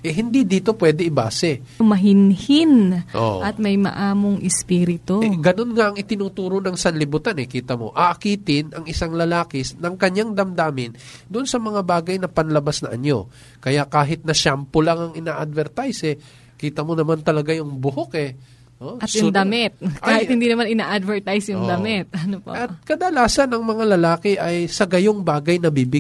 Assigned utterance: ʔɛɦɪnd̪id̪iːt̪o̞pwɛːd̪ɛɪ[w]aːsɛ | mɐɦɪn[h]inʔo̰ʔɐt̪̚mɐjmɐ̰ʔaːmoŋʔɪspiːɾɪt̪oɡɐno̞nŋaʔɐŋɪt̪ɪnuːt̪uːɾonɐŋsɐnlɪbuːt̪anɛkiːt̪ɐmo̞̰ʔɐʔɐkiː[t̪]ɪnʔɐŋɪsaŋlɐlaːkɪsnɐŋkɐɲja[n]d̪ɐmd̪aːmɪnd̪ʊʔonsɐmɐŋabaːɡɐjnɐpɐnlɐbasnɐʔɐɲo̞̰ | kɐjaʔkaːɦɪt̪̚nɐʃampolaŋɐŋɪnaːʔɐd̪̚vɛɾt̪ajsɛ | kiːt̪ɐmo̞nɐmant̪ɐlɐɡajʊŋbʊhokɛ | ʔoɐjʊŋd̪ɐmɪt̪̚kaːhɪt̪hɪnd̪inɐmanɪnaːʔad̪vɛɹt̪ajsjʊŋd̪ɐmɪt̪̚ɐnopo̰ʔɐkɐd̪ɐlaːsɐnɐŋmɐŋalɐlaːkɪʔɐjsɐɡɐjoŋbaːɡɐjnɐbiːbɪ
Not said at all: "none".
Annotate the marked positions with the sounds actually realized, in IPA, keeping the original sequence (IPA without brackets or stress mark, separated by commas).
b, h, t̪, ŋ